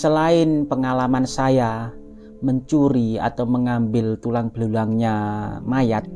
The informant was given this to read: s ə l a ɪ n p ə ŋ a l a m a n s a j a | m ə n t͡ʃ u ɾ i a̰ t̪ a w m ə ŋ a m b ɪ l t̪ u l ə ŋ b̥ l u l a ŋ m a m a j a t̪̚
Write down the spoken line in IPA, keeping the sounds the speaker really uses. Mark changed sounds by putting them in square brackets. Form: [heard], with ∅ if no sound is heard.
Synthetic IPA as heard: s ə l a ɪ n p ə ŋ a l a m a n s a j a | m ə [ɲ] t͡ʃ u ɾ i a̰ t̪ a w m ə ŋ a m b ɪ l t̪ u l [a] ŋ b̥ l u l a ŋ [ɲ] a m a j a t̪̚